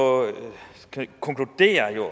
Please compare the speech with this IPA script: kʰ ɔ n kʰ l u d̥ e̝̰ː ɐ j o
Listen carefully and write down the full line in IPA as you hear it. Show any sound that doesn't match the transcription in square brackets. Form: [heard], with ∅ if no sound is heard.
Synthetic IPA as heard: kʰ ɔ [ŋ] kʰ l u d̥ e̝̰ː ɐ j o